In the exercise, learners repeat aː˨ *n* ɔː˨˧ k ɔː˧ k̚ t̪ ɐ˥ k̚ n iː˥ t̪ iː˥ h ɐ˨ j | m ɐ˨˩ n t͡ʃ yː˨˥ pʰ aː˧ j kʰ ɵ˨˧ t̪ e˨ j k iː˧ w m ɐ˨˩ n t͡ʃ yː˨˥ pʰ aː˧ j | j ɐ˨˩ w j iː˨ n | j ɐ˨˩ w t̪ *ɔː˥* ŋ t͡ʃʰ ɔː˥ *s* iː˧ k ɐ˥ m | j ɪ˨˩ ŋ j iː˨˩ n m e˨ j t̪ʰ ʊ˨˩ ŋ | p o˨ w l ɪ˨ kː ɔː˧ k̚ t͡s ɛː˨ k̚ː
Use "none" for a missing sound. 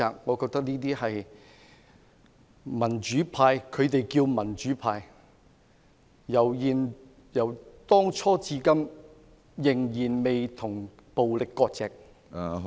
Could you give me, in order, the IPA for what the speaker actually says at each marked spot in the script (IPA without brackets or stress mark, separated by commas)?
ŋ, ɔː˥, t͡s